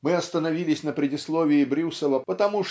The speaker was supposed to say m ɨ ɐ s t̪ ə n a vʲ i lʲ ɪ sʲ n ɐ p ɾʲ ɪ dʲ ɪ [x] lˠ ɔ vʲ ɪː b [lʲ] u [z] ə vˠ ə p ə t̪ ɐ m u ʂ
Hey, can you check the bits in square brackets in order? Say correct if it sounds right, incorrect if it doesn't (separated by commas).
incorrect, incorrect, incorrect